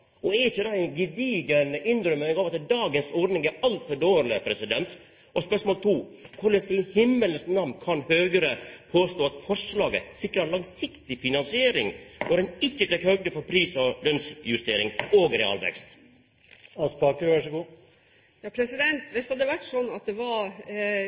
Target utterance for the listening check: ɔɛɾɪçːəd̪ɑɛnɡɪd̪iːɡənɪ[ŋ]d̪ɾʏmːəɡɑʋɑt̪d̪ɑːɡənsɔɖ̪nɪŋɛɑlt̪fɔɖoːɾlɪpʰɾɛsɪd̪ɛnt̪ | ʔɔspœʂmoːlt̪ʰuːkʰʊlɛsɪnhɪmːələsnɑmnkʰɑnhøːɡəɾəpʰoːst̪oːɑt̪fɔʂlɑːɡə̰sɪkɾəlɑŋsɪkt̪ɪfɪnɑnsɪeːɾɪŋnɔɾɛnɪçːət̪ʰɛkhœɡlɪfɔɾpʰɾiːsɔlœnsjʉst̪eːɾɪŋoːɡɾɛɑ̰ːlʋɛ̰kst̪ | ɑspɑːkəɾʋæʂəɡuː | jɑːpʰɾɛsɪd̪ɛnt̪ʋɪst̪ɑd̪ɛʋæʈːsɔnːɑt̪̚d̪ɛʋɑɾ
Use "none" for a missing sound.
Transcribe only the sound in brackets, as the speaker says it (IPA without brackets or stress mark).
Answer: n